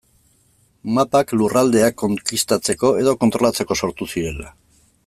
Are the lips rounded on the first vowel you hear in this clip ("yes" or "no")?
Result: no